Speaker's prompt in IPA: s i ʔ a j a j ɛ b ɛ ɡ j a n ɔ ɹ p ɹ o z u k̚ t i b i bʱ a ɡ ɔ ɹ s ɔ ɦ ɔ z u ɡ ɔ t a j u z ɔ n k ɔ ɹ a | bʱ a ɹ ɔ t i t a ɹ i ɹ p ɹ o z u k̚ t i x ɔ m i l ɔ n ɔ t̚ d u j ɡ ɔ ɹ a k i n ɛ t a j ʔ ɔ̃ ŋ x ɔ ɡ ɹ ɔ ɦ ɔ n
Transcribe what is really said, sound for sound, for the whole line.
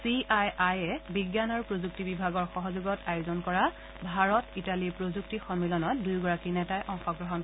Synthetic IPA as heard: s i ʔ a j a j ɛ b i ɡ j a n ɔ ɹ p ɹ o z u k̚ t i b i bʱ a ɡ ɔ ɹ x ɔ ɦ ɔ z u ɡ ɔ t a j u z ɔ n k ɔ ɹ a | bʱ a ɹ ɔ t i t a l i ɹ p ɹ o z u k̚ t i x ɔ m i l ɔ n ɔ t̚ d u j ɡ ɔ ɹ a k i n ɛ t a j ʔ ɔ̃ ŋ x ɔ ɡ ɹ ɔ ɦ ɔ n